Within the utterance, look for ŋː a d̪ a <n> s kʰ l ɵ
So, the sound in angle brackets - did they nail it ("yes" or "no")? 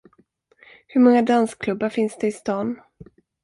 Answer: yes